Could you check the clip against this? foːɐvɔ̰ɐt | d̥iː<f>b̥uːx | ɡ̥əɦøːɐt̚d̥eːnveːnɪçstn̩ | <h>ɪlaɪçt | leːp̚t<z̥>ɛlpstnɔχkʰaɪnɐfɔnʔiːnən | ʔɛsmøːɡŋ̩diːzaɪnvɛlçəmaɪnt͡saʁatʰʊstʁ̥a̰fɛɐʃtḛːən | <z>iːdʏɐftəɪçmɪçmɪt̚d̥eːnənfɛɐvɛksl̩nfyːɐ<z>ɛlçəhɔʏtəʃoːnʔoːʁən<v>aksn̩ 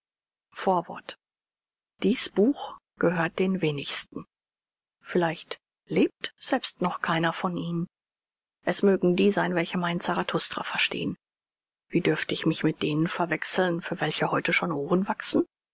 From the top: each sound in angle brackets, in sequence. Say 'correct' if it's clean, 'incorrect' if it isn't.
incorrect, incorrect, correct, incorrect, incorrect, correct

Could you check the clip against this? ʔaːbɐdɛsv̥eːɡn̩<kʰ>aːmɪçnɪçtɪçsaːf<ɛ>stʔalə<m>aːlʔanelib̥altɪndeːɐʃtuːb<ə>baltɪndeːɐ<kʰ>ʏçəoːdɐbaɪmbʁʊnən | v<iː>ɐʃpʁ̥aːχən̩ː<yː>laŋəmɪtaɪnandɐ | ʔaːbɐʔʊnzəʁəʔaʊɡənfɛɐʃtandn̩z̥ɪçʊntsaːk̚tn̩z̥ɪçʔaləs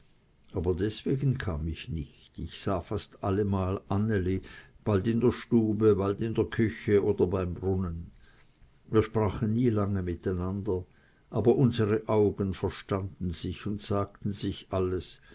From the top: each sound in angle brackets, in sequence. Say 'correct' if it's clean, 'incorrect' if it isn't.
correct, incorrect, correct, correct, correct, correct, incorrect

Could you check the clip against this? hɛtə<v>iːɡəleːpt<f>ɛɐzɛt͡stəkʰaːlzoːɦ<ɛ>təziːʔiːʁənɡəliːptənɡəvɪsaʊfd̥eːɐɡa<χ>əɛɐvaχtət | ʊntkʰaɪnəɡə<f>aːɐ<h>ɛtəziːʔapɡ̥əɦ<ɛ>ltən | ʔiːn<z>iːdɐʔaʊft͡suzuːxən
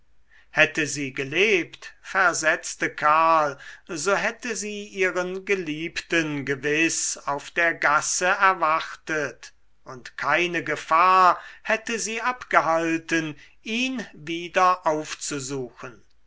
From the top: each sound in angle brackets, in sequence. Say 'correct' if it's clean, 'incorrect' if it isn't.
incorrect, correct, correct, incorrect, correct, correct, incorrect, incorrect

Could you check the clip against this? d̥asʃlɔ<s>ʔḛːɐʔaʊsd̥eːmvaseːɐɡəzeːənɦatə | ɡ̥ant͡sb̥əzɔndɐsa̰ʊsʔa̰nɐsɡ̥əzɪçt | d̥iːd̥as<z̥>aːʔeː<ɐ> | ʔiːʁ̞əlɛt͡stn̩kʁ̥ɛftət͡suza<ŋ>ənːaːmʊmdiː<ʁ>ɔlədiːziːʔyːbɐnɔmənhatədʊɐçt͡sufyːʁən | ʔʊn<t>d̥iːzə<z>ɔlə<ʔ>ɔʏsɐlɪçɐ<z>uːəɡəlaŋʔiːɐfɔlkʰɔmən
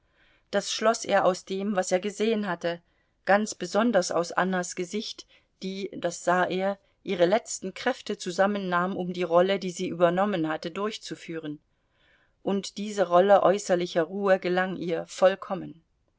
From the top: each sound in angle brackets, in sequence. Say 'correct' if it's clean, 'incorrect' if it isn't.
correct, correct, correct, incorrect, correct, correct, incorrect, correct, incorrect

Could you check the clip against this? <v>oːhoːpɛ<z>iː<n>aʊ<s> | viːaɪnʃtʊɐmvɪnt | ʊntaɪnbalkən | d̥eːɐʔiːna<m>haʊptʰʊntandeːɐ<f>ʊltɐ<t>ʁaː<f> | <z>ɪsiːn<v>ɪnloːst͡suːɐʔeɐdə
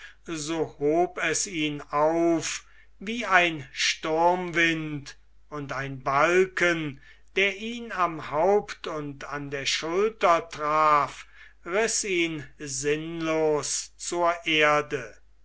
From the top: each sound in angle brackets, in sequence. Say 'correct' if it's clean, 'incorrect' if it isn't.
incorrect, incorrect, correct, incorrect, correct, incorrect, correct, correct, incorrect, incorrect

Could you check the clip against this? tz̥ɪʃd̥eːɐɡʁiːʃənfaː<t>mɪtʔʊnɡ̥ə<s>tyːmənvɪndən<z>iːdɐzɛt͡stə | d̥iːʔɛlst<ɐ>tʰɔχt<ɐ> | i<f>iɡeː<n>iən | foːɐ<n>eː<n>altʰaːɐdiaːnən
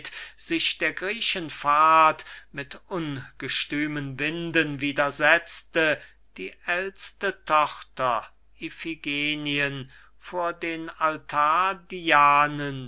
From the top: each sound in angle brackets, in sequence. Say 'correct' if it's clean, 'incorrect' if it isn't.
correct, incorrect, incorrect, incorrect, correct, correct, correct, incorrect, correct

